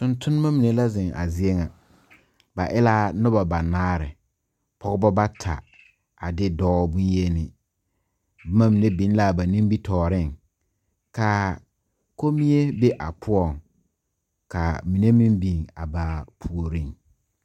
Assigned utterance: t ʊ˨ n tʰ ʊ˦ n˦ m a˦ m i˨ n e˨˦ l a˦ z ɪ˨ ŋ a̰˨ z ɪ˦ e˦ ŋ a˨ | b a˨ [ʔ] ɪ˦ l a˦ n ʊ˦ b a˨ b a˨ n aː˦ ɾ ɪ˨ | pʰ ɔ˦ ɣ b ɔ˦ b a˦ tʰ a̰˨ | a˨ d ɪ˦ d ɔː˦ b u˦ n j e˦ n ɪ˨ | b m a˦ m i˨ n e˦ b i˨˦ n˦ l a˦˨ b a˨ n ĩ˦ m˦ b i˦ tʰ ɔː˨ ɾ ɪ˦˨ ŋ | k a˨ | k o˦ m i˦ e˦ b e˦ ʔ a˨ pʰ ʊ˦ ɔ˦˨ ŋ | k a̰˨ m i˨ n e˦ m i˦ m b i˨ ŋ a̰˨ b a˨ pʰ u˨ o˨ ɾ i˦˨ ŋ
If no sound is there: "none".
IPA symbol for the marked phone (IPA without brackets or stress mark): ʔ